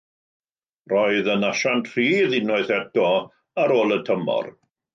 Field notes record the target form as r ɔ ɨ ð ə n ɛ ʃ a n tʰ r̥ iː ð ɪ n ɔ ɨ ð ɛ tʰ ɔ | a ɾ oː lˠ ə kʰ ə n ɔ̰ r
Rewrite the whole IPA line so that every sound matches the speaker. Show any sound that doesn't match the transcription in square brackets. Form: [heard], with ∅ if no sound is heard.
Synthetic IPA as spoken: r ɔ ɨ ð ə n [a] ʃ a n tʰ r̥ iː ð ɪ n ɔ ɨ [θ] ɛ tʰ ɔ | a ɾ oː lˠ ə [tʰ] ə [m] ɔ̰ r